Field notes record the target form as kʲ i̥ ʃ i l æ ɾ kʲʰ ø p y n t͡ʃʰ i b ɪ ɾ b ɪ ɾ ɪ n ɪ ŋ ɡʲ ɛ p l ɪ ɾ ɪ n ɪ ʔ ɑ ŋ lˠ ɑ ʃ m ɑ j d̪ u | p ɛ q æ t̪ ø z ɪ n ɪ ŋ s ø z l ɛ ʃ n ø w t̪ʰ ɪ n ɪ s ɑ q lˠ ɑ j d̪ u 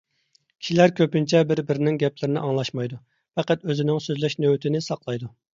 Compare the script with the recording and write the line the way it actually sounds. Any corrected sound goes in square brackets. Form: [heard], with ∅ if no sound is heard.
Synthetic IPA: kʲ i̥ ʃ i l æ ɾ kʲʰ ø p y n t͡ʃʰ [ɛ] b ɪ ɾ b ɪ ɾ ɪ n ɪ ŋ ɡʲ ɛ p l ɪ ɾ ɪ n ɪ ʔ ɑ ŋ lˠ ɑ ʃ m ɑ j d̪ u | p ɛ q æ t̪ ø z ɪ n ɪ ŋ s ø z l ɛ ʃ n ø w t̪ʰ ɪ n ɪ s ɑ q lˠ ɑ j d̪ u